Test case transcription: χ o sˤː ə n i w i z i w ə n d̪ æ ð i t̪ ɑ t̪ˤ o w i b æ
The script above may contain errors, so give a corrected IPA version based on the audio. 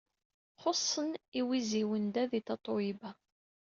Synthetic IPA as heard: χ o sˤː ə n i w i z i w ə n d̪ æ ð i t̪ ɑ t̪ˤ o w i b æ